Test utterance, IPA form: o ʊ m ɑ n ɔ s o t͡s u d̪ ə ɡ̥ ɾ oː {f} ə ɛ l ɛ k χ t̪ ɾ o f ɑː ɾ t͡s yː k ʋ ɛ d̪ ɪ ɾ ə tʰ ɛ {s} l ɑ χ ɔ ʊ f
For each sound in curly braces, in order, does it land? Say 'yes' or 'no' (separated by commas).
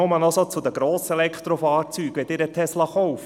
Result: no, yes